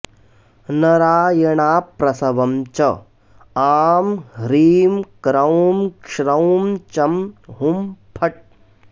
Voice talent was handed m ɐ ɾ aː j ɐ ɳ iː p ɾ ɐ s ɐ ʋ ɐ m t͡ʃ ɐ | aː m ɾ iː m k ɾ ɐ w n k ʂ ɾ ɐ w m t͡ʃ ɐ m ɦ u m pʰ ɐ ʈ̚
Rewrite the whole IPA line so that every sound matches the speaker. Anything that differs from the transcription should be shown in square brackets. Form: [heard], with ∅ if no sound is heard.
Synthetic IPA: [n] ɐ ɾ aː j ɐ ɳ [aː] p ɾ ɐ s ɐ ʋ ɐ m t͡ʃ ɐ | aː m ɾ iː m k ɾ ɐ w [m] k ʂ ɾ ɐ w m t͡ʃ ɐ m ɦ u m pʰ ɐ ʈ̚